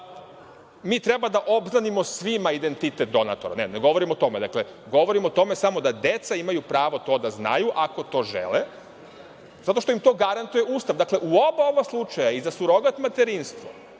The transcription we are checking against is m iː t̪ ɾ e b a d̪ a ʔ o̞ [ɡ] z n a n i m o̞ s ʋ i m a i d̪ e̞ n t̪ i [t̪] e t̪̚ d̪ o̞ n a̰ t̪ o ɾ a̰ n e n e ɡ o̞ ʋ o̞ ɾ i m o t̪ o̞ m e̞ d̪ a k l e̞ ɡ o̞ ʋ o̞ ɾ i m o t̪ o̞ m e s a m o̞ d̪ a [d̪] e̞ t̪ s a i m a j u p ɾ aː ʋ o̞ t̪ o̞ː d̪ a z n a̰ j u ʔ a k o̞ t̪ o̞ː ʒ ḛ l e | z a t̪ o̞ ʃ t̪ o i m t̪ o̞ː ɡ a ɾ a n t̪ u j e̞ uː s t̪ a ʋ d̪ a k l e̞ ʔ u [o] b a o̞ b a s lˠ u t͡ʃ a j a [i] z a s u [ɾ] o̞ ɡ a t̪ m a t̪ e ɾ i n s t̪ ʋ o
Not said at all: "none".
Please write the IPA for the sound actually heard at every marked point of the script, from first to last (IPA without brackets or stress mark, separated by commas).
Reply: b, t̪, d̪, o, i, ɾ